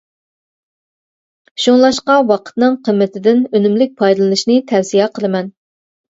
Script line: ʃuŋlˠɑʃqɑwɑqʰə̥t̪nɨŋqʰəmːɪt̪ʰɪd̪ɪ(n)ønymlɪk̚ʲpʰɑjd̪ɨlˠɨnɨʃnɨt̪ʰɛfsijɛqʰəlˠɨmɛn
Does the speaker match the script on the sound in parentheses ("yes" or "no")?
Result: yes